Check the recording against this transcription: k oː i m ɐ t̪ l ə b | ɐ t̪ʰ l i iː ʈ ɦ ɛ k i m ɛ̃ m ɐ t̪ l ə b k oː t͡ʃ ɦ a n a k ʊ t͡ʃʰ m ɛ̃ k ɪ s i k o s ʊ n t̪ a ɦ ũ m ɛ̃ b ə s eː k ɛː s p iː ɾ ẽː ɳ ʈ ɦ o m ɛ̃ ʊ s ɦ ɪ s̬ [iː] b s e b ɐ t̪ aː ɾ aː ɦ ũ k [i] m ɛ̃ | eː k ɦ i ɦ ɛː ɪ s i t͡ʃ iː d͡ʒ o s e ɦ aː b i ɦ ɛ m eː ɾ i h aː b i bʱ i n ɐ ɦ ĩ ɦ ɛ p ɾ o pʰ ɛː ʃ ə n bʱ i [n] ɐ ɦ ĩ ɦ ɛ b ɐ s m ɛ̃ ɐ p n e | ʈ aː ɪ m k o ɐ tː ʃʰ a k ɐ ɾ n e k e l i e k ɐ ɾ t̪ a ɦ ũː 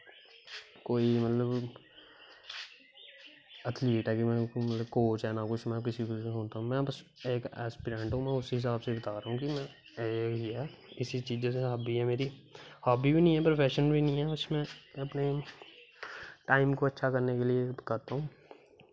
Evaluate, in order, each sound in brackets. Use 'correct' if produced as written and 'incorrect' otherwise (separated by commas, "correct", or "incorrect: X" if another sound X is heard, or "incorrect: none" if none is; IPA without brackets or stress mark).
incorrect: aː, correct, correct